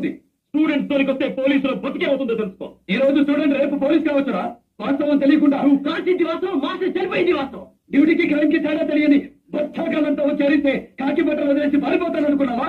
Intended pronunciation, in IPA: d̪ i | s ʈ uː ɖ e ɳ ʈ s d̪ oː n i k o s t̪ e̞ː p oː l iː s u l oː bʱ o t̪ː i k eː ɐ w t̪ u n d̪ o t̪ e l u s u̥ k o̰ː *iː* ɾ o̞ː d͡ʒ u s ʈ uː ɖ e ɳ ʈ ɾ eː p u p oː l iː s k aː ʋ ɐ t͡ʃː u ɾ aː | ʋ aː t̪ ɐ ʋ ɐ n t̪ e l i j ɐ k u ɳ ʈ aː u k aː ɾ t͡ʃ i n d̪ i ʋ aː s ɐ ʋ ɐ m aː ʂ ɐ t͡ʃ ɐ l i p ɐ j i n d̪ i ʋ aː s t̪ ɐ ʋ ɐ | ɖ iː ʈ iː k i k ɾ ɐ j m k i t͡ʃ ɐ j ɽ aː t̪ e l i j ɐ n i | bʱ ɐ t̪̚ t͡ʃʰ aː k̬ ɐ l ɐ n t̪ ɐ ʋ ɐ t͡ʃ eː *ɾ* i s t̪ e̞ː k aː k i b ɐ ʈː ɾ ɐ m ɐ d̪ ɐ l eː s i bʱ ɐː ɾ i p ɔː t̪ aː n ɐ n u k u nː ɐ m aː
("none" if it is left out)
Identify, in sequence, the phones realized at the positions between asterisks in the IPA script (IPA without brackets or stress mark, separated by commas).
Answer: iː, ɾ